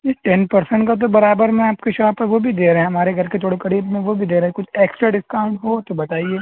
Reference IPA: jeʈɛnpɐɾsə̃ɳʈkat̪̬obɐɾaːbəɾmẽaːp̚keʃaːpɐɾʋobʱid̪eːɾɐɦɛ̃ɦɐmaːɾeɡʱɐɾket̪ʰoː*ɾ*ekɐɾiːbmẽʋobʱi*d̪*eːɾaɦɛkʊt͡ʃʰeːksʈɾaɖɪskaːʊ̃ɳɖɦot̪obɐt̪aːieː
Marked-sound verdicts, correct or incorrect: incorrect, correct

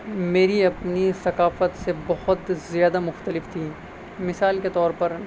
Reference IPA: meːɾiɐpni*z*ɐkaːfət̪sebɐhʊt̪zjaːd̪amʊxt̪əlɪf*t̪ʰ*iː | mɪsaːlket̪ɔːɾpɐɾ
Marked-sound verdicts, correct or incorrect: incorrect, correct

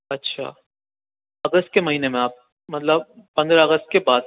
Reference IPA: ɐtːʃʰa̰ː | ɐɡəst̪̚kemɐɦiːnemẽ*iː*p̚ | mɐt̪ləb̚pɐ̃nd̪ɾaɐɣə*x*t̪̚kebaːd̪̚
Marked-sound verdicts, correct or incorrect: incorrect, incorrect

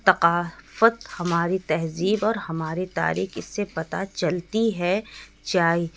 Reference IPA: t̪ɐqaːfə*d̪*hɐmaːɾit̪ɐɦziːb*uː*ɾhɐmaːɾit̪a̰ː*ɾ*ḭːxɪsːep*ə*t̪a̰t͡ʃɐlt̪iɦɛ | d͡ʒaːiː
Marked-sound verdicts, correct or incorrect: incorrect, incorrect, correct, incorrect

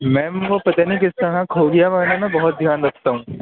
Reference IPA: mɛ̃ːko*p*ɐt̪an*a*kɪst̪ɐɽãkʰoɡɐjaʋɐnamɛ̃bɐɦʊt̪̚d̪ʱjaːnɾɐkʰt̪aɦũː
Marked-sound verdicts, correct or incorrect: correct, incorrect

